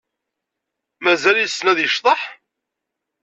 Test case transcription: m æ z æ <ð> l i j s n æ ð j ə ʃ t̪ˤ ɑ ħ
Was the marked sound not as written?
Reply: yes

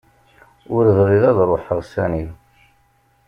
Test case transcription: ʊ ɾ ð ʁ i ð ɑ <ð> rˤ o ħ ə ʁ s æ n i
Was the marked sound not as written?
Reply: no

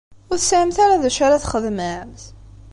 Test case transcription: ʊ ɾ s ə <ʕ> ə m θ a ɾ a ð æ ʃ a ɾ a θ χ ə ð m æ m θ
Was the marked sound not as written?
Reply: no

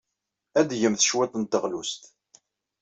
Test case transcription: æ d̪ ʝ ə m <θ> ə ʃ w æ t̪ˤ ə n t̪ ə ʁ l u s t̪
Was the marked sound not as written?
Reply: no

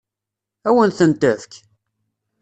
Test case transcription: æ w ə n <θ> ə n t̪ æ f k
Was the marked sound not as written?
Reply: no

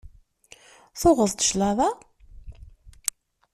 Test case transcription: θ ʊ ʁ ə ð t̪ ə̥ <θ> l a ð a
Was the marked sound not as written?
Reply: yes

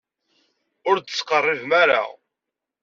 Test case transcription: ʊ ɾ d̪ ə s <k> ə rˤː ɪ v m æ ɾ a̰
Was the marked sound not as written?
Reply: yes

